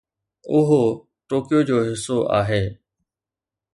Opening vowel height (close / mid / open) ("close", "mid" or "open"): close